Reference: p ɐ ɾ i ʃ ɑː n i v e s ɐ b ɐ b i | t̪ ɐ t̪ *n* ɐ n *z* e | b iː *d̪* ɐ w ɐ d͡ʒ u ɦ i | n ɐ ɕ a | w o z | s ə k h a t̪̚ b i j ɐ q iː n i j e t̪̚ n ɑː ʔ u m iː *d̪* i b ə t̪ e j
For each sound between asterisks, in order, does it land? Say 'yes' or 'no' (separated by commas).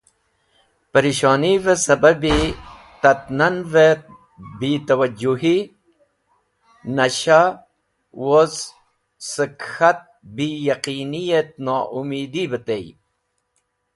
yes, no, no, yes